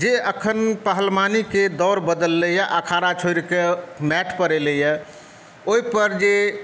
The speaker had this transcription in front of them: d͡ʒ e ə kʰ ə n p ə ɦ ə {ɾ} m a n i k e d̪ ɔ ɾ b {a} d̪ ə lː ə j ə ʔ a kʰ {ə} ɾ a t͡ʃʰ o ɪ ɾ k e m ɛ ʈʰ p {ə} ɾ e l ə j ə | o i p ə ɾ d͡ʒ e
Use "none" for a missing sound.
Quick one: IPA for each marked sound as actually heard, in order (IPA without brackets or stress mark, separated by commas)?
l, ə, a, ə